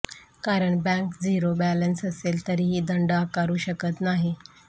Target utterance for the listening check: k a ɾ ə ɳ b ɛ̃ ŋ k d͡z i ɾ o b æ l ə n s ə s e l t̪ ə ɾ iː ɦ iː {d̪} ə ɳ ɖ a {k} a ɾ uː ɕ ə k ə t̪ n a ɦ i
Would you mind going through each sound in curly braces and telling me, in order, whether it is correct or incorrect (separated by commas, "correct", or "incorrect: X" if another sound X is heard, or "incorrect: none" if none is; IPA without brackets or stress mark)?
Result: correct, correct